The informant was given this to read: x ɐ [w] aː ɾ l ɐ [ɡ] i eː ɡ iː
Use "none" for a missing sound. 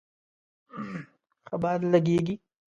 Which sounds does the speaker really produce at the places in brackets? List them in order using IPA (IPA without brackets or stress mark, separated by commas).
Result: b, ɡ